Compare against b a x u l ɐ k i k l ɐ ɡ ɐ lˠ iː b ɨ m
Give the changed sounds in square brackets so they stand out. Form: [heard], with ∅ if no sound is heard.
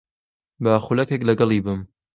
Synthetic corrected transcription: b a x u l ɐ k [e] k l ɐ ɡ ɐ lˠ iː b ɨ m